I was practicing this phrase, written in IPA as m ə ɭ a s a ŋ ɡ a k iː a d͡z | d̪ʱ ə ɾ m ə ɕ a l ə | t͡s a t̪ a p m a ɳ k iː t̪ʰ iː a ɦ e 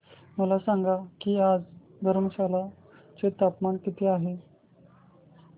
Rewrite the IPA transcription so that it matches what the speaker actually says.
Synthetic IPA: m ə l a s a ŋ ɡ a k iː a d͡z | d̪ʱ ə ɾ m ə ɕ a l a | t͡s e t̪ a p m a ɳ k i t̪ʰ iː a ɦ e